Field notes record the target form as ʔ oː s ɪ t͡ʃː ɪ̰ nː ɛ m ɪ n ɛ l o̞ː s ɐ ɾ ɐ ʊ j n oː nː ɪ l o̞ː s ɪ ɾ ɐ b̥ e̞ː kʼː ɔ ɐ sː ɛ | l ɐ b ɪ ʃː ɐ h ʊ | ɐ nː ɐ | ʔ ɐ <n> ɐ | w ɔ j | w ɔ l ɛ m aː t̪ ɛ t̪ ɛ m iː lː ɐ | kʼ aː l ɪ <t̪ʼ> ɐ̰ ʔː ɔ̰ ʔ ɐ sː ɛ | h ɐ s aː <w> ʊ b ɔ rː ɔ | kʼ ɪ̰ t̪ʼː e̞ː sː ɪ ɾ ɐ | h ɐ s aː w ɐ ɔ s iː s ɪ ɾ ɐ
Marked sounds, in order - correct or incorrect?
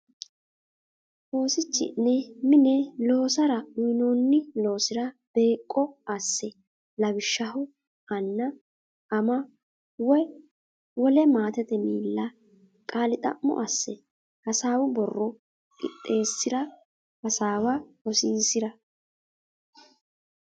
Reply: incorrect, correct, correct

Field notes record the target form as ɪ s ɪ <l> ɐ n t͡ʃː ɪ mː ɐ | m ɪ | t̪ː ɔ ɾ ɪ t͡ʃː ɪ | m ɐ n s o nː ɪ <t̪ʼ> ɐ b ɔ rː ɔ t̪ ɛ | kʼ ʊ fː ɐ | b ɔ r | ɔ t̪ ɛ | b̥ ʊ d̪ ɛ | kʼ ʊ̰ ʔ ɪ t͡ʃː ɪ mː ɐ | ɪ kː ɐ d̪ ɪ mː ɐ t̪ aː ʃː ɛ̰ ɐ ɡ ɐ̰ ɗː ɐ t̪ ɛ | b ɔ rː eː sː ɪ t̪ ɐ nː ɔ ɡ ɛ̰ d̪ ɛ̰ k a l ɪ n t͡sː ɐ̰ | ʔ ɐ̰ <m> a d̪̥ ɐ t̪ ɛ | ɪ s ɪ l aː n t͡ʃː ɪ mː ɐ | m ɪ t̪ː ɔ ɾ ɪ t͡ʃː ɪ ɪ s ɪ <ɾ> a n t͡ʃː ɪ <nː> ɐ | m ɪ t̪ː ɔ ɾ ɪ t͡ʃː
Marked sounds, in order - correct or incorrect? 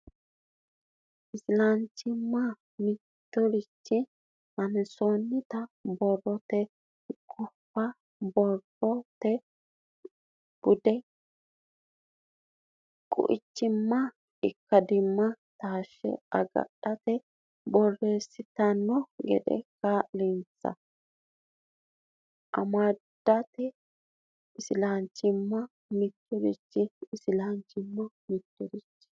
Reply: correct, incorrect, correct, incorrect, incorrect

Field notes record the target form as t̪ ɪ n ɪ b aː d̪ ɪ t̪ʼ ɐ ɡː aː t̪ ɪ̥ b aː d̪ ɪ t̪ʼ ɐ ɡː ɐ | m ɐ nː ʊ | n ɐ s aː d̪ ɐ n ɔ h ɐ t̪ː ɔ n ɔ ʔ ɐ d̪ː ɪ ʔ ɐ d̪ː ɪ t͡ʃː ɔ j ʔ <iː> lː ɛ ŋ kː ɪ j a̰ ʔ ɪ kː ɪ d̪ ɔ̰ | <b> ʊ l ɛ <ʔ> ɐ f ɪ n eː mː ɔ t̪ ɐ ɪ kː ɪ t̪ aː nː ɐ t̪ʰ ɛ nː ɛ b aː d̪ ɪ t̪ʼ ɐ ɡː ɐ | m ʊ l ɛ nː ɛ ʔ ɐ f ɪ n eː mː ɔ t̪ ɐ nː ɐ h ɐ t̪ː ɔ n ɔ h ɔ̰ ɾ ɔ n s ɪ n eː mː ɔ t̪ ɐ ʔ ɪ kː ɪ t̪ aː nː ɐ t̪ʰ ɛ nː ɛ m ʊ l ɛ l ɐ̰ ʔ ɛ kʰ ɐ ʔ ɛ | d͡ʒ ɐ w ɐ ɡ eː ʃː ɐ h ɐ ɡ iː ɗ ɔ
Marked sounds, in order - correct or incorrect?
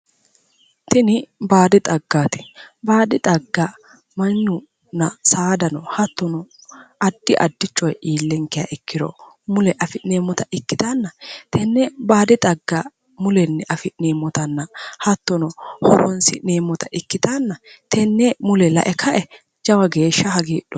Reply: correct, incorrect, correct

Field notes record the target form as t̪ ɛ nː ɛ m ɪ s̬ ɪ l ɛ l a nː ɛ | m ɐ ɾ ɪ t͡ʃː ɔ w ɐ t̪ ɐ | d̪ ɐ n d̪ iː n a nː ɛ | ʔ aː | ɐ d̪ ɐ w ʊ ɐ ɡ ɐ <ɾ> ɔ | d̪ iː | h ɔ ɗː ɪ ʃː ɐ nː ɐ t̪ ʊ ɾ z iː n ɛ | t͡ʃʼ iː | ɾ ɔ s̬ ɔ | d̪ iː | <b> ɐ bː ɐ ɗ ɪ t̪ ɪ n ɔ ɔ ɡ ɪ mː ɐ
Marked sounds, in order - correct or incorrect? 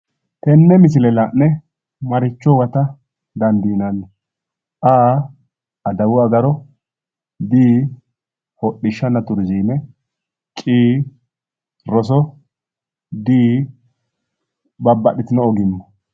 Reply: correct, correct

